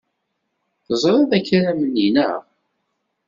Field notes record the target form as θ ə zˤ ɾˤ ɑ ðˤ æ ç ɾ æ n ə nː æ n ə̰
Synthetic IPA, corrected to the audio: θ ə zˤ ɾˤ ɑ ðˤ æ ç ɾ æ m ə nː i n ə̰